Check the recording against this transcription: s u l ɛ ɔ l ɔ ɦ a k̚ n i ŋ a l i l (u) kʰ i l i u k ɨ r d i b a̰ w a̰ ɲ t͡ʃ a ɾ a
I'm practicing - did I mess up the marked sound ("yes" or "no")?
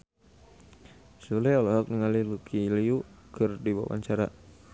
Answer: no